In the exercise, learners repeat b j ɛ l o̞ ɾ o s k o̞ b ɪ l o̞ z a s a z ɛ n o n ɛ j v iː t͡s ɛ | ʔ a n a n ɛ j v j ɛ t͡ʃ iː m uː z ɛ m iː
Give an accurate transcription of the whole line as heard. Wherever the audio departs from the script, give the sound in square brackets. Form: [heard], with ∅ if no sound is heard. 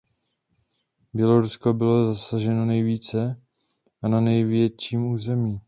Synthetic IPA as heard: b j ɛ l o̞ ɾ [u] s k o̞ b ɪ l o̞ z a s a [ʒ] ɛ n o n ɛ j v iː t͡s ɛ | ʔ a n a n ɛ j v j ɛ t͡ʃ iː m uː z ɛ m iː